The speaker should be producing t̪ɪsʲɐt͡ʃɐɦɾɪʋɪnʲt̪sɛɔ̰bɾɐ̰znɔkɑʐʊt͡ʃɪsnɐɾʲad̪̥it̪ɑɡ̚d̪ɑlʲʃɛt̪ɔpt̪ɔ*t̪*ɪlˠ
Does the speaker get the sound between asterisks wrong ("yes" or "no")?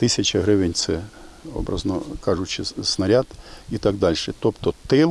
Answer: no